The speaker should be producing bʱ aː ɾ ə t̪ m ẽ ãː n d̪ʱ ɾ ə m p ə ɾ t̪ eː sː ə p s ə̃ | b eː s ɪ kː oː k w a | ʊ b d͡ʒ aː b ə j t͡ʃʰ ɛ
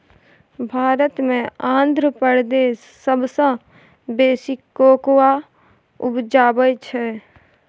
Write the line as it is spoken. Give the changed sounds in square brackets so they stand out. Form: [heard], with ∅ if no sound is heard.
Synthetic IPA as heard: bʱ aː ɾ ə t̪ m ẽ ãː n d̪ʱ ɾ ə [∅] p ə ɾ [d̪] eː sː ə [b] s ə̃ | b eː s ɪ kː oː k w a | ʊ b d͡ʒ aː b ə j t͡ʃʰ ɛ